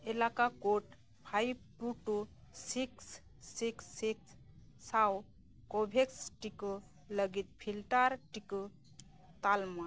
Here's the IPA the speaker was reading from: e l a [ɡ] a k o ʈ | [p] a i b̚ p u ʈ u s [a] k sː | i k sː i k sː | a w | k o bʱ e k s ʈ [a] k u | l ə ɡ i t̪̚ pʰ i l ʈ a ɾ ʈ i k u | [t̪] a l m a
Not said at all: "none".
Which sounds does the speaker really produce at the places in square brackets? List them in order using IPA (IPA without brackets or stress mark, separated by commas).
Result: k, pʰ, i, i, t̪